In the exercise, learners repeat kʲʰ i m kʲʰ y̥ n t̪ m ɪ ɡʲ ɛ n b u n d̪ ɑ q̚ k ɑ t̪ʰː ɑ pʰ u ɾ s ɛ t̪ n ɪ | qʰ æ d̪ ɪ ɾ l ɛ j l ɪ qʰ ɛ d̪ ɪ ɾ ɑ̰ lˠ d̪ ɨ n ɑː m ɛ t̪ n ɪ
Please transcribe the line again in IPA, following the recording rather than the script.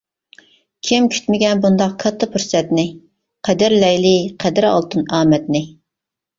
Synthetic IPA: kʲʰ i m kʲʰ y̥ t̪ m ɪ ɡʲ ɛ n b u n d̪ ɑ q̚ kʰ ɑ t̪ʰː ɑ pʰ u ɾ s ɛ t̪ n ɪ | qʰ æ d̪ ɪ ɾ l ɛ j l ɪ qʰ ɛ d̪ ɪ ɾ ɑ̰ lˠ t̪ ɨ n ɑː m ɛ t̪ n ɪ